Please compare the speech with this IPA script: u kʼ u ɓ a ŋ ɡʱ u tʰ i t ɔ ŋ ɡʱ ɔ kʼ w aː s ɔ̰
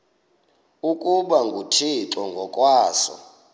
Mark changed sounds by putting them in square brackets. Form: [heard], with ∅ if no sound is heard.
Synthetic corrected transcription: u kʼ u ɓ a ŋ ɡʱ u tʰ i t ɔ ŋ ɡʱ ɔ kʼ w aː s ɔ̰